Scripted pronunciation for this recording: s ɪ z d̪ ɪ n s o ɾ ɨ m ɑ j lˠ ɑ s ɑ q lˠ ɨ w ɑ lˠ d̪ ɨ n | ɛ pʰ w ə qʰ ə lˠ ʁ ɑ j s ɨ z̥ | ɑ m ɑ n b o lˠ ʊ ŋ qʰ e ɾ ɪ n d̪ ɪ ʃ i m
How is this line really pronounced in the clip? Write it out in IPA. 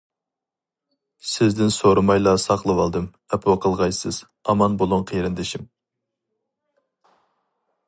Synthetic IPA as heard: s ɪ z d̪ ɪ n s o ɾ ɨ m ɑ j lˠ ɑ s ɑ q lˠ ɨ w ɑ lˠ d̪ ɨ m | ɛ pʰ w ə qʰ ə lˠ ʁ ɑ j s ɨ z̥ | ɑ m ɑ n b o lˠ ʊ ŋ qʰ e ɾ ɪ n d̪ ɪ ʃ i m